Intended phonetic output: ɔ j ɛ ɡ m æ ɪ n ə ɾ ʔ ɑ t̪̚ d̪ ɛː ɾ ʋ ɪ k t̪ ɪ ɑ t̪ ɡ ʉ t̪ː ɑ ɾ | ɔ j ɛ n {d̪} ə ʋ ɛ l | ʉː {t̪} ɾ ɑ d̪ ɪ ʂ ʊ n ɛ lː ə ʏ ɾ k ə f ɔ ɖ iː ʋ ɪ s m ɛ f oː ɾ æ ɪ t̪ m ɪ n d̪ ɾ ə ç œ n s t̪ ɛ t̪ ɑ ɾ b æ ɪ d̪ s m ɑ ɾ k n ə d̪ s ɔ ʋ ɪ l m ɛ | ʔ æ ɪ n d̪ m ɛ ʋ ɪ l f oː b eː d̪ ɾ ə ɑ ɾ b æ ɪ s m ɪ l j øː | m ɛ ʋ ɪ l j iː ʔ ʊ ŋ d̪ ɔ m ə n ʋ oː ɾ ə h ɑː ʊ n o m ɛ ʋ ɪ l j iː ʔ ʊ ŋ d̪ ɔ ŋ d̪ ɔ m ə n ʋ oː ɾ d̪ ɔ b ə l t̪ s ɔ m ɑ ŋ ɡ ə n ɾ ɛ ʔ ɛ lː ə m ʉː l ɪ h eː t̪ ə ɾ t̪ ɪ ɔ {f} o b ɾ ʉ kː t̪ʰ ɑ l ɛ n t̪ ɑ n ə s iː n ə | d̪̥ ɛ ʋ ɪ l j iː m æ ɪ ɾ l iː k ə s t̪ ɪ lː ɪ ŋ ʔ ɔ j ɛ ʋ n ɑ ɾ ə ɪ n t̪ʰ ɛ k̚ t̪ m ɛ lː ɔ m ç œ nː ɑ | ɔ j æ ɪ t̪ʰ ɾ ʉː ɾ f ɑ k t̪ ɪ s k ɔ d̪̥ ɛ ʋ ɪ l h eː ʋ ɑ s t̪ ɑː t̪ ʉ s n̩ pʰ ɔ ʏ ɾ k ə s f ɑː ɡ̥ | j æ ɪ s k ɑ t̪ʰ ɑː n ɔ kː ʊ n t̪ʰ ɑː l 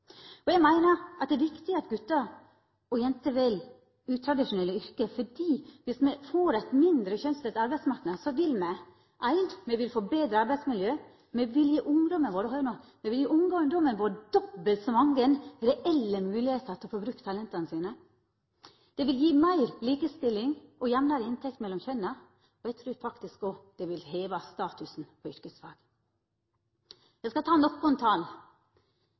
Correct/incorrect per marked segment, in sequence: incorrect: t̪, incorrect: t̪ʰ, correct

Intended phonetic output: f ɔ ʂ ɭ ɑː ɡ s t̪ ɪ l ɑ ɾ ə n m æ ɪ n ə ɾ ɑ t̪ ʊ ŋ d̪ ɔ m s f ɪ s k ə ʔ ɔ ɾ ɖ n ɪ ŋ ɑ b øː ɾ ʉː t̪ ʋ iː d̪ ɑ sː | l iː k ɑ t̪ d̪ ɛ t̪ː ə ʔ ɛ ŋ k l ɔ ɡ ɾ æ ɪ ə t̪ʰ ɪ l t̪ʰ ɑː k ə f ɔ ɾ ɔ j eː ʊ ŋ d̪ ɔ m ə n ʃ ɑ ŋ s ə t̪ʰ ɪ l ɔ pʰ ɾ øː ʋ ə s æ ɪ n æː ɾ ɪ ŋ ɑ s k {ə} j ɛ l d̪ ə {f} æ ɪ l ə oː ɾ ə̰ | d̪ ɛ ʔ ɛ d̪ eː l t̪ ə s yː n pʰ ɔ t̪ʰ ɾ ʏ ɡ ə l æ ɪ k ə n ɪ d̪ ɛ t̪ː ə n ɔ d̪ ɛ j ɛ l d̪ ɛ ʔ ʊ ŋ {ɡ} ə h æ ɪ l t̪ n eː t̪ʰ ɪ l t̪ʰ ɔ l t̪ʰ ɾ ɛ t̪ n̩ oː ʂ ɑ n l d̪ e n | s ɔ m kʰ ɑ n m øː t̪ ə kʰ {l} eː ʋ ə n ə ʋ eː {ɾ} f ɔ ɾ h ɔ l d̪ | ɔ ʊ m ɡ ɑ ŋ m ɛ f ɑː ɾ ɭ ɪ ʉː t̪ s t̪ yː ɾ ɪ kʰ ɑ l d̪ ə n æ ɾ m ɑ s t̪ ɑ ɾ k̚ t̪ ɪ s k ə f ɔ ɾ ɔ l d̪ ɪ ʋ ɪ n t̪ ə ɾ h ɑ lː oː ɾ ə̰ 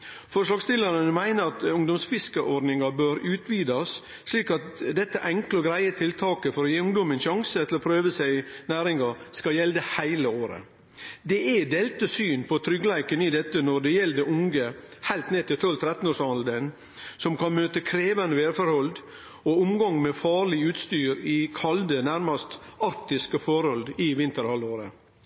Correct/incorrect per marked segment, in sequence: incorrect: ɑ, incorrect: h, correct, incorrect: ɾ, correct

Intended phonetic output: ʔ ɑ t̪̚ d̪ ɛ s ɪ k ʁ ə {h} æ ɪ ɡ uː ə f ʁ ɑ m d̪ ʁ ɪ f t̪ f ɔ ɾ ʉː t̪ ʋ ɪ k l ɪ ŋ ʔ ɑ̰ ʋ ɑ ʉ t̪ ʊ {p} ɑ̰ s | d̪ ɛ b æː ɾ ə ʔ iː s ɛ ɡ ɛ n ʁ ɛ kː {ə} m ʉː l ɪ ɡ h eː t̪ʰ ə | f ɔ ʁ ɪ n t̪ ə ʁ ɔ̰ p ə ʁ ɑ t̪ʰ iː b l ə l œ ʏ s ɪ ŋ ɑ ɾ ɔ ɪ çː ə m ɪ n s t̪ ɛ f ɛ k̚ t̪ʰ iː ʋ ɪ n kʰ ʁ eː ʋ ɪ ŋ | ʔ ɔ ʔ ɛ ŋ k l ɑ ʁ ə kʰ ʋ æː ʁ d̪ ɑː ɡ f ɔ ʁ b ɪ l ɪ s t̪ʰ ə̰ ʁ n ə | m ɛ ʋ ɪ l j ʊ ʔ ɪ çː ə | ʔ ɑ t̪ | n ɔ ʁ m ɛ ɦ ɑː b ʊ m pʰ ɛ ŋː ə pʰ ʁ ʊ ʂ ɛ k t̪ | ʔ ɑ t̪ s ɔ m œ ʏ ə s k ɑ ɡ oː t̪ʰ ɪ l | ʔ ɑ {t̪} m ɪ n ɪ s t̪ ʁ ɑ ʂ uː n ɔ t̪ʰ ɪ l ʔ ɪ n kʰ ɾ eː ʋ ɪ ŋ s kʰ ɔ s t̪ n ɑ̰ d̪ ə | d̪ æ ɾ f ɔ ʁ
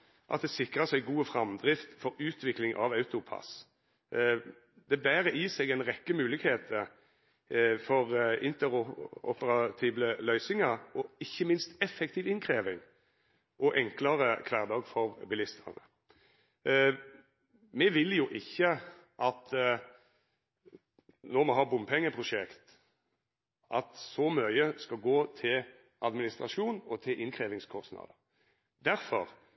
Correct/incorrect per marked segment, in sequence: incorrect: s, incorrect: pʰ, correct, incorrect: d̪

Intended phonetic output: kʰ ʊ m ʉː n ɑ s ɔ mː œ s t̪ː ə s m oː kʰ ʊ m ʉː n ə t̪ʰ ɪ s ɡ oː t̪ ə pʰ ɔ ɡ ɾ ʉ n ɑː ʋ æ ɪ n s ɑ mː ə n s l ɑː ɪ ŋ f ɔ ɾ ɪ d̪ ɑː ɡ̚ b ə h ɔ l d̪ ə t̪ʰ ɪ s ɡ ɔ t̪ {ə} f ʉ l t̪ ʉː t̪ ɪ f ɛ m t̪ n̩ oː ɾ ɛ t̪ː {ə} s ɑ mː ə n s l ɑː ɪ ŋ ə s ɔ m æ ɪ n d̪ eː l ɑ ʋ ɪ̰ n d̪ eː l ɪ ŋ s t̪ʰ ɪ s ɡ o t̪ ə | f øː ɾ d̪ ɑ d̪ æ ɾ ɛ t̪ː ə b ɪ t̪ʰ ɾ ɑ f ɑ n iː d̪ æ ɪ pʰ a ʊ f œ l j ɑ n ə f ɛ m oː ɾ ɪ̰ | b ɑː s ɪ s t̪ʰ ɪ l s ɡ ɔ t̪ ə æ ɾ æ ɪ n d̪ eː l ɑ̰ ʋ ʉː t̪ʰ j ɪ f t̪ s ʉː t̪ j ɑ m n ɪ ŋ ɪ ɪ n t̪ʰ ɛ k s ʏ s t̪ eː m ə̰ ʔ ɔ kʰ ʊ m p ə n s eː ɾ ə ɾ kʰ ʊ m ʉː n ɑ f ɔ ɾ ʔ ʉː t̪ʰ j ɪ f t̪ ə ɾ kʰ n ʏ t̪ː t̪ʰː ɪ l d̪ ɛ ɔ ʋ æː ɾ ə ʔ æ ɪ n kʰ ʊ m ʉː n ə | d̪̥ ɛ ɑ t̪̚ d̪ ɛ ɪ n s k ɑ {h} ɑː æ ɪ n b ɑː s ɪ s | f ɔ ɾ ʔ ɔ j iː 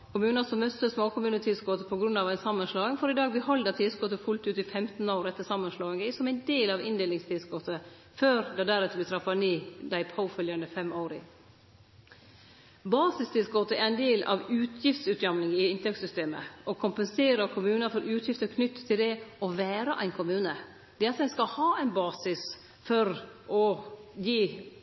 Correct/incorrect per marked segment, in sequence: correct, correct, correct

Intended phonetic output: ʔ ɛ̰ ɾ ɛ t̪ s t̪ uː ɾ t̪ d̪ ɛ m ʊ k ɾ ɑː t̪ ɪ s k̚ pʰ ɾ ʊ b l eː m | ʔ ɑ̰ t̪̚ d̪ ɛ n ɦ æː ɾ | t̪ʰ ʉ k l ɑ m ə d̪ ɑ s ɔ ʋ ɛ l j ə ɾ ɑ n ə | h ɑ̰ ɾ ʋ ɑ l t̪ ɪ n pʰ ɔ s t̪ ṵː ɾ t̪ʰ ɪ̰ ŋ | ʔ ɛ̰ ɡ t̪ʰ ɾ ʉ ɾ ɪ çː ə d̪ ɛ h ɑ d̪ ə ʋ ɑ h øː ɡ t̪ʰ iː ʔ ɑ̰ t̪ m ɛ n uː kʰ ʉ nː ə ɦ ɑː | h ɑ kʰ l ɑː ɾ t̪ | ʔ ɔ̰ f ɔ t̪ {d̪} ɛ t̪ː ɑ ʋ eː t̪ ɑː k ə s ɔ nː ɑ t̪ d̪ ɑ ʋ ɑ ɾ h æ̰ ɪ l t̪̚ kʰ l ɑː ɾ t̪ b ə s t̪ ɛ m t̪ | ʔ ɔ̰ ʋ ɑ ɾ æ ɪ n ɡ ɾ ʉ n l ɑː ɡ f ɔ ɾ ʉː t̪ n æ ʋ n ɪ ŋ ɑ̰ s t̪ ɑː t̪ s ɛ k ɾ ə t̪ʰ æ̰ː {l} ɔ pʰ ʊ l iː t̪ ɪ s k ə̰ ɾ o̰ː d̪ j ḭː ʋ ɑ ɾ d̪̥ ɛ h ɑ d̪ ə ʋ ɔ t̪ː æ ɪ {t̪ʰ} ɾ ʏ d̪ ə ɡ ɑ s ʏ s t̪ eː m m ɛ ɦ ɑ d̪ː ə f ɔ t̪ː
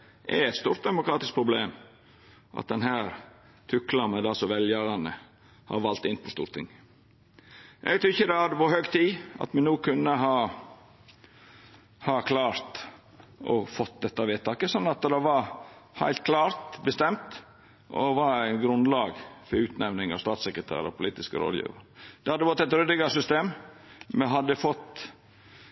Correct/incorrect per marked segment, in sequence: correct, incorrect: ɾ, incorrect: t̪

